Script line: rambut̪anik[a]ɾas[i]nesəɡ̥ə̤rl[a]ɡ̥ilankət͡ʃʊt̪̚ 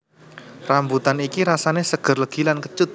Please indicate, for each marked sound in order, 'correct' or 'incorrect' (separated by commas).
incorrect, incorrect, incorrect